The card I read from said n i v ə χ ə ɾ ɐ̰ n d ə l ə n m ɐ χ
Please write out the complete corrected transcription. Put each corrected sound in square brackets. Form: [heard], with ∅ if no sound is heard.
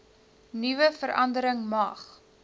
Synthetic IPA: n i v ə [f] ə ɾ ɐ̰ n d ə [ɾ] ə [ŋ] m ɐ χ